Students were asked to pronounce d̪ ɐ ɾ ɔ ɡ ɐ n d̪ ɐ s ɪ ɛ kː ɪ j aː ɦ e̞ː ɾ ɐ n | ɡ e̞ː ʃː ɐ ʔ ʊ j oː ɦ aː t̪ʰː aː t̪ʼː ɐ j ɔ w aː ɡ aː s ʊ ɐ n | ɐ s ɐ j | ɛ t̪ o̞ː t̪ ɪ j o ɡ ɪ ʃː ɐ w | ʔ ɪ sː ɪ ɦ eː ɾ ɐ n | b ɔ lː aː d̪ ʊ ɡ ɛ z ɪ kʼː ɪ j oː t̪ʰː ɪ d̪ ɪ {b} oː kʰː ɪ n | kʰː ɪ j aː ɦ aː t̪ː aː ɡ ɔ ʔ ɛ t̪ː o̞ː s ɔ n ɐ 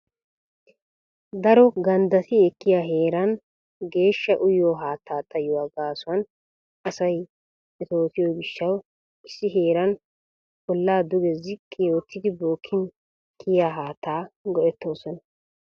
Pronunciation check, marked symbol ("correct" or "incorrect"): correct